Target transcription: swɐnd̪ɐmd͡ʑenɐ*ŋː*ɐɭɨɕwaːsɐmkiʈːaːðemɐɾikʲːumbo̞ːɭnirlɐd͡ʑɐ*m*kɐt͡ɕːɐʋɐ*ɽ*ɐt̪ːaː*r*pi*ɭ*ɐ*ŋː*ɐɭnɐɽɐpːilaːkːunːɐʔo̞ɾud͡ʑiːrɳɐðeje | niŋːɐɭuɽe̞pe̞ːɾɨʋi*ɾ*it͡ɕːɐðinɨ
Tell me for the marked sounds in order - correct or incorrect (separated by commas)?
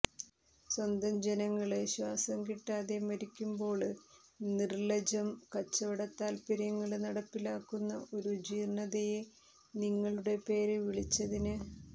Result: correct, correct, correct, incorrect, incorrect, correct, incorrect